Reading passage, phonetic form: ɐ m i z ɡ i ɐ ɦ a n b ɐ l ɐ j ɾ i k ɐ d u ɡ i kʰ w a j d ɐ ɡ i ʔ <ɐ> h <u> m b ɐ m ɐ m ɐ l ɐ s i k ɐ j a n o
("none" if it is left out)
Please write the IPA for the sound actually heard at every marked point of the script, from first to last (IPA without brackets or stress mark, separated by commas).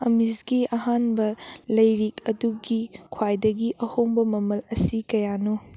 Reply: ɐ, o